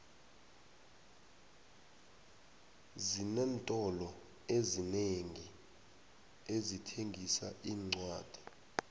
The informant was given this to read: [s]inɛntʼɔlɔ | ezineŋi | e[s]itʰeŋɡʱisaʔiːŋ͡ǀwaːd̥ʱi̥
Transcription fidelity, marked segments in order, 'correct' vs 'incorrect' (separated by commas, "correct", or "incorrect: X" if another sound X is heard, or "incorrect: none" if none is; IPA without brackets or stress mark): incorrect: z, incorrect: z